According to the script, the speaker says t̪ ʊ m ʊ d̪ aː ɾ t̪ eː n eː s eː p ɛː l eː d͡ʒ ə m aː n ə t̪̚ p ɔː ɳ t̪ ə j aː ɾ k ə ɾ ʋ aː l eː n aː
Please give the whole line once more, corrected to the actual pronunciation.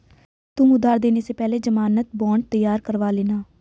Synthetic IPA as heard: t̪ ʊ m ʊ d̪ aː ɾ d̪ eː n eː s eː p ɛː l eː d͡ʒ ə m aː n ə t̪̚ b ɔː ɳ t̪ ə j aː ɾ k ə ɾ ʋ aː l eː n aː